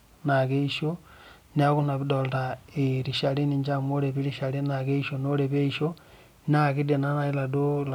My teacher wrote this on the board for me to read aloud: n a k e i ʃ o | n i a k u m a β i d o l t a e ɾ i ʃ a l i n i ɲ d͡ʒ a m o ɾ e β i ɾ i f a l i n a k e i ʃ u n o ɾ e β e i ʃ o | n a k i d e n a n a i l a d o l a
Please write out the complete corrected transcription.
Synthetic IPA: n a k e i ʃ o | n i a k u n a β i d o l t a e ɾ i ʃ a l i n i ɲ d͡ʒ a m o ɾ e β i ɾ i ʃ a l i n a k e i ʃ o n o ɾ e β e i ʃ o | n a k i d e n a n a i l a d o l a

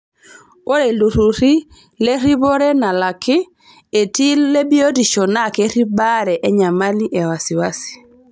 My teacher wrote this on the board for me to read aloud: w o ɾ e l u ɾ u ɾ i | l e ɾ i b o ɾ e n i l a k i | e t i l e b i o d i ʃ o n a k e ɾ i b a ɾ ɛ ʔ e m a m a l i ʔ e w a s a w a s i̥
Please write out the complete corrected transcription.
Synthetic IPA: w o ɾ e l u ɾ u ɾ i | l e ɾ i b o ɾ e n a l a k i | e t i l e b i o d i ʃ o n a k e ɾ i b a ɾ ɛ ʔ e ɲ a m a l i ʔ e w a s i w a s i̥

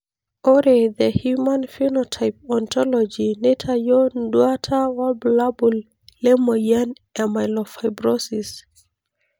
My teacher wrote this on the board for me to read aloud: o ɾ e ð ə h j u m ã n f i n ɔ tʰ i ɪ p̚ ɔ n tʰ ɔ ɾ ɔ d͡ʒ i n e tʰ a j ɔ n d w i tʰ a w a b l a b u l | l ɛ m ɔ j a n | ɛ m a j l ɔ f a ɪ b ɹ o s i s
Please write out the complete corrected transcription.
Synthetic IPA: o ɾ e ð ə h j u m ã n f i n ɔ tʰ a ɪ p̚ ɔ n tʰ ɔ l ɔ d͡ʒ i n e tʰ a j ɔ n d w a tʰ a w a b l a b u l | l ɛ m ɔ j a n | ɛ m a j l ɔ f a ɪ b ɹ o s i s

